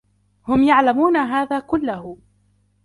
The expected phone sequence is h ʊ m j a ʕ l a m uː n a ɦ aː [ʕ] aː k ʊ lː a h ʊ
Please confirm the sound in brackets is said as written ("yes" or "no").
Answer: no